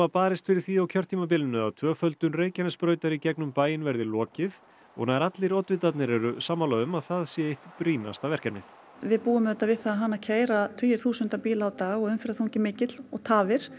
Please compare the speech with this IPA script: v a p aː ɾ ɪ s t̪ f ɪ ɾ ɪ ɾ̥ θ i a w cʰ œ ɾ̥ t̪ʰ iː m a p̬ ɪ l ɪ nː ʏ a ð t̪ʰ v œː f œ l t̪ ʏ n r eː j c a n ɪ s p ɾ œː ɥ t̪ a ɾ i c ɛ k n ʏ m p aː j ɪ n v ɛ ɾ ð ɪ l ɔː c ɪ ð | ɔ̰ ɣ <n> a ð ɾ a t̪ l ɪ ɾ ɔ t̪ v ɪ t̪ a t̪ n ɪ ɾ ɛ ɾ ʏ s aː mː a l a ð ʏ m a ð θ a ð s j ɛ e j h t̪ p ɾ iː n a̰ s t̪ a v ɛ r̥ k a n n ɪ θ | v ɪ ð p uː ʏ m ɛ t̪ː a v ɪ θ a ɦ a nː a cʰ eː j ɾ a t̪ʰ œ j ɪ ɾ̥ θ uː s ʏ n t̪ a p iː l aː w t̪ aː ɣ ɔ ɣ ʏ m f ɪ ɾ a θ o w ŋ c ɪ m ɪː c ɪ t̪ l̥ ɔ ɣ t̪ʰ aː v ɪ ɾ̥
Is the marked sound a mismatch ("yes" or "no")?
no